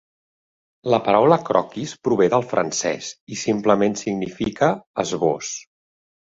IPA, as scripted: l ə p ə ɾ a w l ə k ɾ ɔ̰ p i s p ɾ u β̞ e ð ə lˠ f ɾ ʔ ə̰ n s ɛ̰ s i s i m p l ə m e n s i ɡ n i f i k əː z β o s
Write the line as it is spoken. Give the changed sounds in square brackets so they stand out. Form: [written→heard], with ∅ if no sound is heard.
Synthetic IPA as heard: l ə p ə ɾ a w l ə k ɾ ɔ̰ [p→k] i s p ɾ u β̞ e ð ə lˠ f ɾ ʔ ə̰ n s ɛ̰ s i s i m p l ə m e n s i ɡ n i f i k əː z β o s